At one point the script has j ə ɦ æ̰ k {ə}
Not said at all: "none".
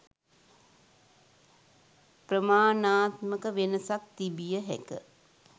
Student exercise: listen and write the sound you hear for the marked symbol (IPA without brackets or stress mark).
ə